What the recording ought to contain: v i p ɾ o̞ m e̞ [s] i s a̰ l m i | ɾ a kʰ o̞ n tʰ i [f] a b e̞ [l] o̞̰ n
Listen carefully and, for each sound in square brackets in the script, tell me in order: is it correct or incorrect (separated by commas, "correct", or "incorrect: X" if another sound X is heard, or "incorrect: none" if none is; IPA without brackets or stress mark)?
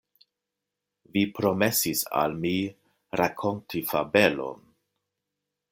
correct, correct, correct